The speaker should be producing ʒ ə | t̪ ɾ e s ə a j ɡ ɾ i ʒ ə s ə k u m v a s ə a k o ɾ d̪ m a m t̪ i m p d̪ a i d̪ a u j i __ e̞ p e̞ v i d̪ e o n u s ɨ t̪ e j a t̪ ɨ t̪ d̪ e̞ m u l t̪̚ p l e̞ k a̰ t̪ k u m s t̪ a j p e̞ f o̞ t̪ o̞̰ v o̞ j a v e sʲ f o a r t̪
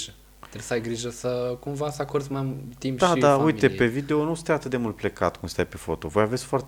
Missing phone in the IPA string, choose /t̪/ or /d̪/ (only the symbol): t̪